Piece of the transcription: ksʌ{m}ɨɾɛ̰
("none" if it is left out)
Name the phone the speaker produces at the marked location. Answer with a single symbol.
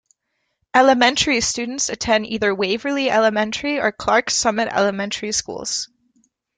m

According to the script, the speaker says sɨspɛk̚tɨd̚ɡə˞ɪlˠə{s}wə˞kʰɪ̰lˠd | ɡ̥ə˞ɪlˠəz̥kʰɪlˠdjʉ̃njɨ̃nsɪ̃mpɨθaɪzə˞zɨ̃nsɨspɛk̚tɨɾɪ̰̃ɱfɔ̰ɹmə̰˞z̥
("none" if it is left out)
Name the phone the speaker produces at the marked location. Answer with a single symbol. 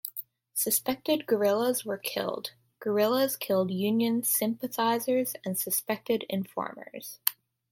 z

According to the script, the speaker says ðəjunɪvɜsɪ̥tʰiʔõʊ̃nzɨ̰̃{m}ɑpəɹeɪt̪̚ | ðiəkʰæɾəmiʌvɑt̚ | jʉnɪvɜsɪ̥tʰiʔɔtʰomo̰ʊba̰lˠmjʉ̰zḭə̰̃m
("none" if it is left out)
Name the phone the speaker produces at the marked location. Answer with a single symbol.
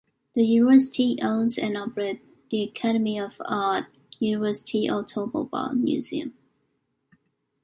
n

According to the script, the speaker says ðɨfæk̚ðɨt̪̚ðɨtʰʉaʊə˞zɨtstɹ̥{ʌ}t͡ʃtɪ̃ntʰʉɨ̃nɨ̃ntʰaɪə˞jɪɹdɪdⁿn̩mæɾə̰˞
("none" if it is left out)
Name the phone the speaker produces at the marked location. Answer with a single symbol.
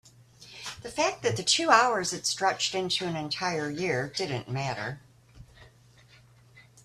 ʌ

